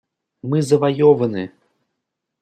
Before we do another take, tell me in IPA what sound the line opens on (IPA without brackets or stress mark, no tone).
m